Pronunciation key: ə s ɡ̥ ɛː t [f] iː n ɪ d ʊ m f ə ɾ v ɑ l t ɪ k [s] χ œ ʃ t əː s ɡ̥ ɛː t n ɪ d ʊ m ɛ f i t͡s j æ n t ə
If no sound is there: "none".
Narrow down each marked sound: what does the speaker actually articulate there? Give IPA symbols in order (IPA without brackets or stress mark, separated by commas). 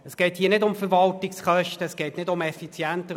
h, s